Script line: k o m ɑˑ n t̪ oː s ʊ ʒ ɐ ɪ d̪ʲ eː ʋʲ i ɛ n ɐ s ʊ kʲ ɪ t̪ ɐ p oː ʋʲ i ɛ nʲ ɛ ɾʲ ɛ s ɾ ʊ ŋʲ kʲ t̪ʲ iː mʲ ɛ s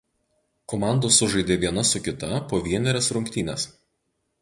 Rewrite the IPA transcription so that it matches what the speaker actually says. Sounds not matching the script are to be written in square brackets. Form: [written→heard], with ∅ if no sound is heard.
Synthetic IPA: k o m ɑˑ n [t̪→d̪] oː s ʊ ʒ ɐ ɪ d̪ʲ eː ʋʲ i ɛ n ɐ s ʊ kʲ ɪ t̪ ɐ p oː ʋʲ i ɛ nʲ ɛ ɾʲ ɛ s ɾ ʊ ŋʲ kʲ t̪ʲ iː [mʲ→nʲ] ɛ s